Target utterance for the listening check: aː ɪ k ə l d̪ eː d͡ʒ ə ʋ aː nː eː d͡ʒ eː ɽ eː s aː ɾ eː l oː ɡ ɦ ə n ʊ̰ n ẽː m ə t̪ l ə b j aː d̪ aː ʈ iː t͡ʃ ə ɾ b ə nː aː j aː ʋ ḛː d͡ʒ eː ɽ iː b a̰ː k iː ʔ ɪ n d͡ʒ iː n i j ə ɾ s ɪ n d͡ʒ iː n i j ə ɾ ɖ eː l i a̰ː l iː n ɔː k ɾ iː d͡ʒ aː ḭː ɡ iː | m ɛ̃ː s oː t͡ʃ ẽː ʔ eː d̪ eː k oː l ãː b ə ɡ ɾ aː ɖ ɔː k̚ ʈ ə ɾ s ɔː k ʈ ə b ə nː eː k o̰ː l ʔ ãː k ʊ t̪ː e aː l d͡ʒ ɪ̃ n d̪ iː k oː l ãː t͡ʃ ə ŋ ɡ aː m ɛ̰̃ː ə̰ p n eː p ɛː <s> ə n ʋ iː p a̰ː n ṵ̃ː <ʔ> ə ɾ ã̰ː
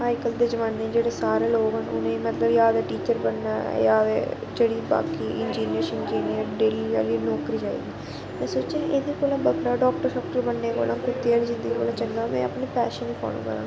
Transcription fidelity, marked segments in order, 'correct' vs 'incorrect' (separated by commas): incorrect, incorrect